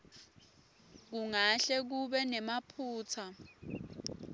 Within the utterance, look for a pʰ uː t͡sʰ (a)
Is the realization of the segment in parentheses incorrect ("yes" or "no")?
no